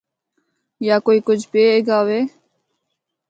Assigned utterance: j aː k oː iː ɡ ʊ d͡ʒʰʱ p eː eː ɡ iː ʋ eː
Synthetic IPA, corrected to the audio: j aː k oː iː k ʊ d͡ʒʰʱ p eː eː ɡ aː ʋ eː